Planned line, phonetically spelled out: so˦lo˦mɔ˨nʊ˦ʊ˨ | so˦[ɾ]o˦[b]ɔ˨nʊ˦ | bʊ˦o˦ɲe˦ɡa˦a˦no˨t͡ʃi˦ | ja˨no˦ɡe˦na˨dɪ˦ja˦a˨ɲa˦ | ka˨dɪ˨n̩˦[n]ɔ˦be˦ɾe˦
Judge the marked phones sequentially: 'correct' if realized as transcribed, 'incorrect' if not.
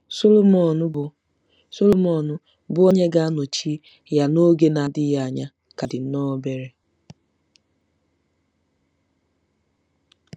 incorrect, incorrect, correct

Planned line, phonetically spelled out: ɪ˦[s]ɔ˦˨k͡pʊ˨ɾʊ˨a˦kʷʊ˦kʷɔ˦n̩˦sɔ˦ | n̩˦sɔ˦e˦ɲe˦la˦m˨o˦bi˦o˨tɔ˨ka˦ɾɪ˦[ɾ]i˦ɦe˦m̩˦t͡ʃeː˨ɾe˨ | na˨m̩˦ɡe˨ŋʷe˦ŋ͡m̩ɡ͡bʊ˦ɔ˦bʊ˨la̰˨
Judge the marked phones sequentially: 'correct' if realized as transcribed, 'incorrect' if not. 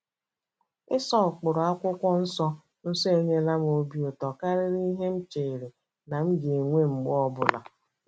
correct, correct

